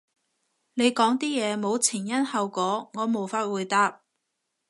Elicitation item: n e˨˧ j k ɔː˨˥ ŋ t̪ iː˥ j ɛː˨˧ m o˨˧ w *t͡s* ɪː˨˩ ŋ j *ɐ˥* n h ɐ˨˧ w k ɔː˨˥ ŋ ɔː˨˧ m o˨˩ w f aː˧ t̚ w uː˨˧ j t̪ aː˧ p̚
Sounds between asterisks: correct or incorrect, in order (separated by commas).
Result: incorrect, correct